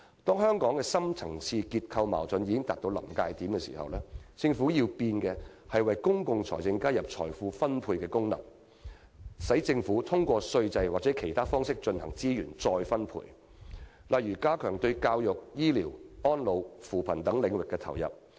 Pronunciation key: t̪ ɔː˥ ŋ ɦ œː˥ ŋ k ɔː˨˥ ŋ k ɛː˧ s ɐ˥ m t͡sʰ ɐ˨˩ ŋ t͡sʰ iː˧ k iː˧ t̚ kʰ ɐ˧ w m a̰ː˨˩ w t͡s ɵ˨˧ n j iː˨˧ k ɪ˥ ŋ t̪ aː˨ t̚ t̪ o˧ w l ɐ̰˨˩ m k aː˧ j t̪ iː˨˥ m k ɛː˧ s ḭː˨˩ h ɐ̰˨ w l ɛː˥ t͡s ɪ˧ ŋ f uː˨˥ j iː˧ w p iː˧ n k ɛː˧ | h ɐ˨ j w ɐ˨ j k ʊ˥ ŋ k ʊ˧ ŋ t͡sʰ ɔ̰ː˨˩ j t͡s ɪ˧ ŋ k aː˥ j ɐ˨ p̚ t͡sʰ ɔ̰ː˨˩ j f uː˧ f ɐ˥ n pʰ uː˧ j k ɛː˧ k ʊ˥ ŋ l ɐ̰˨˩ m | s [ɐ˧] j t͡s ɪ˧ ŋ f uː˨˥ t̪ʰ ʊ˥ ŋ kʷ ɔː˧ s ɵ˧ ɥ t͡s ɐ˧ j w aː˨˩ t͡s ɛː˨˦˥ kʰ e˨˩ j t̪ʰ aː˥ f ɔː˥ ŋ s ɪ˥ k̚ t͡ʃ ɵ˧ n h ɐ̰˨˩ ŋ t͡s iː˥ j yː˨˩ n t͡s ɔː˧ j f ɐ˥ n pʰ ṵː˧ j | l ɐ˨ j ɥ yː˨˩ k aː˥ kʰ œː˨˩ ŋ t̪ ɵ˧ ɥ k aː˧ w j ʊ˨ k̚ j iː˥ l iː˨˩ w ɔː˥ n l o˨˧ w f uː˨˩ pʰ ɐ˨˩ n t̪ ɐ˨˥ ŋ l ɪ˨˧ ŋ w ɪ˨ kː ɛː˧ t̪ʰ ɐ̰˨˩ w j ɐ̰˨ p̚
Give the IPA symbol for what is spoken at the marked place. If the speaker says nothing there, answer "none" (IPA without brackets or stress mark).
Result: ɐ˨˥